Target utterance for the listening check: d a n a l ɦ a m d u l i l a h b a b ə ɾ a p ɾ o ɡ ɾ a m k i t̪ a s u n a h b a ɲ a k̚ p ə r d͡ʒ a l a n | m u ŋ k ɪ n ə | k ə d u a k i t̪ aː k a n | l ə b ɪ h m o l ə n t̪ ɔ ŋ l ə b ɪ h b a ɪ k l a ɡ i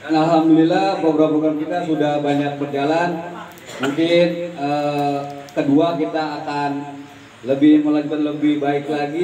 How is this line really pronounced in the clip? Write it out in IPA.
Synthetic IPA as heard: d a n a l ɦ a m d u l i l a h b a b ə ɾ a p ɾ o ɡ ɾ a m k i t̪ a s u d a h b a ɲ a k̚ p ə r d͡ʒ a l a n | m u ŋ k ɪ n ə | k ə d u a k i t̪ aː k a n | l ə b ɪ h m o l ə n t̪ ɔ n l ə b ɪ h b a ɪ k l a ɡ i